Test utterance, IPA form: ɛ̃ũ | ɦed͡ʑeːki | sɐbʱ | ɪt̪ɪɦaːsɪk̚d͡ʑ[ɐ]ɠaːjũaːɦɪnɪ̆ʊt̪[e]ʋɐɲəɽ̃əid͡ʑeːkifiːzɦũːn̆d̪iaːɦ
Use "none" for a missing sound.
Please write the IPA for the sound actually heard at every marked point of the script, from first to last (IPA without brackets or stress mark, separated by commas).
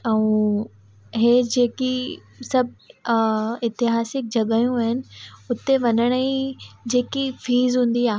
ɐ, e